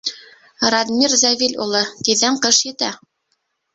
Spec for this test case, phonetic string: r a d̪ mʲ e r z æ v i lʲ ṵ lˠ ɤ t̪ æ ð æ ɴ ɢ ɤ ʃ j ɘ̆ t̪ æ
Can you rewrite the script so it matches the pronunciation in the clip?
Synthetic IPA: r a d̪ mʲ i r z æ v i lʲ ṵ lˠ ɤ t̪ i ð æ ɴ q ɤ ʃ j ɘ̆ t̪ æ

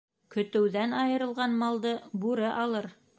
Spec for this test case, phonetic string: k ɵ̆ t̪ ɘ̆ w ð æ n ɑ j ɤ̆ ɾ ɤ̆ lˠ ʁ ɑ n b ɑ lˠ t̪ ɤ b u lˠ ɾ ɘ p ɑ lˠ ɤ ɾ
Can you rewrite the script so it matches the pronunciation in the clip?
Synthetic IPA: k ɵ̆ t̪ ɘ̆ w ð æ n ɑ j ɤ̆ ɾ ɤ̆ lˠ ʁ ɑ n m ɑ lˠ d̪ ɤ b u ɾ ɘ ʔ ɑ lˠ ɤ ɾ

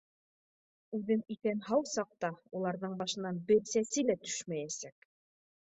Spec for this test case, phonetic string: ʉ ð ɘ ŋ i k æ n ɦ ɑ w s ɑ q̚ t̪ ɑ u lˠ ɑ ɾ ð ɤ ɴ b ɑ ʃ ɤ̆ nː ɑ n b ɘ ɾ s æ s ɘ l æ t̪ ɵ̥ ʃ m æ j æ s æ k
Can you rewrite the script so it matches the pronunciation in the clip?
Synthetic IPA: ʉ ð ɘ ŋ i k æ n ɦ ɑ w s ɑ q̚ t̪ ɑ u lˠ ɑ ɾ ð ɤ ɴ b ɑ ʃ ɤ̆ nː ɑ n b ɘ ɾ s æ s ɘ l æ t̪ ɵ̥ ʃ m æ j æ s æ k

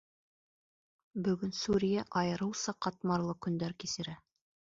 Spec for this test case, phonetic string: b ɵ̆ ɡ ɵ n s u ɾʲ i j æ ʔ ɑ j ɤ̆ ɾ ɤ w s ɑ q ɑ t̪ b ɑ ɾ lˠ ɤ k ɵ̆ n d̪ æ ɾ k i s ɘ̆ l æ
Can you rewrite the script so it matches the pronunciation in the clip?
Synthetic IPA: b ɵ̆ ɡ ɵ n s u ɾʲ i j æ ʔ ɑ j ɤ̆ ɾ ɤ w s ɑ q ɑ t̪ m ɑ ɾ lˠ ɤ k ɵ̆ n d̪ æ ɾ k i s ɘ̆ ɾ æ

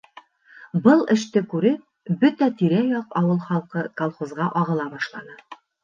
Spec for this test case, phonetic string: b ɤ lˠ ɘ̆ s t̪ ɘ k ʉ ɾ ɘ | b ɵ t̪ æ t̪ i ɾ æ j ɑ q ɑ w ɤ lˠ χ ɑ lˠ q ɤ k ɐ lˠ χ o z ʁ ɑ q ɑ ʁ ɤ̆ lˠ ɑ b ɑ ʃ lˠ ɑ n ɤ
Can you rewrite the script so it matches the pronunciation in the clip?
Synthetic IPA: b ɤ lˠ ɘ̆ ʃ t̪ ɘ k ʉ ɾ ɘ | b ɵ t̪ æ t̪ i ɾ æ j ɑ q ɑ w ɤ lˠ χ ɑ lˠ q ɤ k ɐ lˠ χ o z ʁ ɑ ʔ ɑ ʁ ɤ̆ lˠ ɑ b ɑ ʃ lˠ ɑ n ɤ

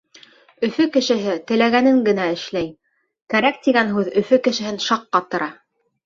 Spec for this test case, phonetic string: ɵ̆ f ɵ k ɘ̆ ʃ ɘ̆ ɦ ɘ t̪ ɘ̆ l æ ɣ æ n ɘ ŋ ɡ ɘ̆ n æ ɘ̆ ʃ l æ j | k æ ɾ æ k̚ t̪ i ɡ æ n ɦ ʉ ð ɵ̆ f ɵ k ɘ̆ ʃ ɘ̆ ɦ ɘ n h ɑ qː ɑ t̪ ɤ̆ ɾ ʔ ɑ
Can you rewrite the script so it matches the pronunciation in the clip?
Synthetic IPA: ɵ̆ f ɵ k ɘ̆ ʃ ɘ̆ ɦ ɘ t̪ ɘ̆ l æ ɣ æ n ɘ ŋ ɡ ɘ̆ n æ ɘ̆ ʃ l æ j | k æ ɾ æ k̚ t̪ i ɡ æ n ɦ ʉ ð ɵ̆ f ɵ k ɘ̆ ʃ ɘ̆ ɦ ɘ n ʃ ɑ qː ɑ t̪ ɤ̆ ɾ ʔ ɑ

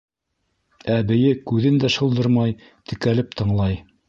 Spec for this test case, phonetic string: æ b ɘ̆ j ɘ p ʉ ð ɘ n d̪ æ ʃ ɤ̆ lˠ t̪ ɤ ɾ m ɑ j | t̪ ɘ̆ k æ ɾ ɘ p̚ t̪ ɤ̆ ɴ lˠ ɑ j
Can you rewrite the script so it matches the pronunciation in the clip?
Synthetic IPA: æ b ɘ̆ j ɘ k ʉ ð ɘ n d̪ æ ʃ ɤ̆ lˠ d̪ ɤ ɾ m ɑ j | t̪ ɘ̆ k æ l ɘ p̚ t̪ ɤ̆ ɴ lˠ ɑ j

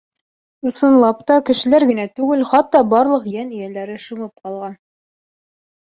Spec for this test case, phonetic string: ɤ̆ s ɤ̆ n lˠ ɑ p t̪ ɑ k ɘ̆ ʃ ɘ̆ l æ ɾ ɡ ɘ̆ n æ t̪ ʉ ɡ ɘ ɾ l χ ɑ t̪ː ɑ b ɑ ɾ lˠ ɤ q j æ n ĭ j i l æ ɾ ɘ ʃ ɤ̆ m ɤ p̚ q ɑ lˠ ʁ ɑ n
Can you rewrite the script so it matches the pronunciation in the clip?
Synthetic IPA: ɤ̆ s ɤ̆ n lˠ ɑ p t̪ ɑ k ɘ̆ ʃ ɘ̆ l æ ɾ ɡ ɘ̆ n æ t̪ ʉ ɡ ɘ l χ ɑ t̪ː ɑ b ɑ ɾ lˠ ɤ q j æ n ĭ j æ l æ ɾ ɘ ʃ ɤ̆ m ɤ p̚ q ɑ lˠ ʁ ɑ n

